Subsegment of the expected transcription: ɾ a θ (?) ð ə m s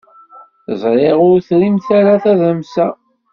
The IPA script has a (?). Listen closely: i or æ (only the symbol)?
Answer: æ